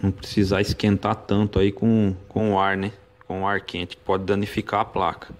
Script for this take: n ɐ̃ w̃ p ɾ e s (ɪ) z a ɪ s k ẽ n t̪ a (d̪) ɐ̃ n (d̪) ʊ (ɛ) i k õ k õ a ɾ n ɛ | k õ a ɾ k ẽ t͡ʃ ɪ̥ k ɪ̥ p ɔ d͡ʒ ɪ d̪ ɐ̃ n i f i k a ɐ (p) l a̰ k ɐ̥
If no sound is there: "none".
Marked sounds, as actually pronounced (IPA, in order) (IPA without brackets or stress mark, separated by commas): i, t̪, t̪, a, p